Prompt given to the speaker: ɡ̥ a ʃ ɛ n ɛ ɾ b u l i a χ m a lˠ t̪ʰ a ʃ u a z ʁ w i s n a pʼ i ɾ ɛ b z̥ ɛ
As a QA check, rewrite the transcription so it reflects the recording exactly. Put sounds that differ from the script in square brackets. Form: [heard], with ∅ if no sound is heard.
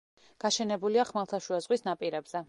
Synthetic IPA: ɡ̥ a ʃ ɛ n ɛ [∅] b u l i a χ m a lˠ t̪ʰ a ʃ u a z ʁ w i s n a pʼ i ɾ ɛ b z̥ ɛ